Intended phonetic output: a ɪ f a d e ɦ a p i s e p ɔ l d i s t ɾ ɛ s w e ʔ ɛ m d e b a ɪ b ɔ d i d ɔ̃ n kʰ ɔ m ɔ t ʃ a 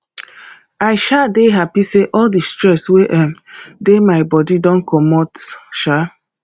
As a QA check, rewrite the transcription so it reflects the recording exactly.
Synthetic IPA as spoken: a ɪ ʃ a d e ɦ a p i s e ʔ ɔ l d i s t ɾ ɛ s w e ʔ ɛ m d e m a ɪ b ɔ d i d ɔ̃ n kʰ ɔ m ɔ t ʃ a